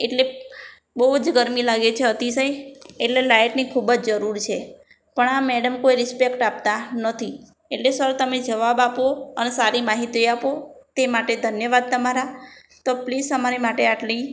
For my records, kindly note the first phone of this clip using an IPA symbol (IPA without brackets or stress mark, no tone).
e